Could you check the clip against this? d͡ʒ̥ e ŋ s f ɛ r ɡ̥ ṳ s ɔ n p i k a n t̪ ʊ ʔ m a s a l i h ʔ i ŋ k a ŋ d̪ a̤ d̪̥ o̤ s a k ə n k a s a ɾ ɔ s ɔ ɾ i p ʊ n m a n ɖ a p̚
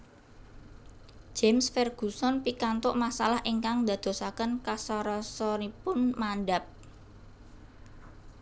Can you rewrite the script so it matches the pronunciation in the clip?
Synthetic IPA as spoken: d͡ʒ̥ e m s f ɛ r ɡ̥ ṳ s ɔ n p i k a n t̪ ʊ ʔ m a s a l a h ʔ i ŋ k a ŋ d̪ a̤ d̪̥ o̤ s a k ə n k a s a ɾ ɔ s ɔ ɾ i p ʊ n m a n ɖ a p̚